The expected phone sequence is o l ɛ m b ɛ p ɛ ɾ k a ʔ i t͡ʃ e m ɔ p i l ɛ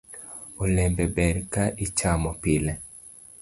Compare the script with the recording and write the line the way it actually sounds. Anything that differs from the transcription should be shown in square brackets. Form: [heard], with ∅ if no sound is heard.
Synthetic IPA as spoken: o l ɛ m b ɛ [b] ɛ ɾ k a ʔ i t͡ʃ [a] m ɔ p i l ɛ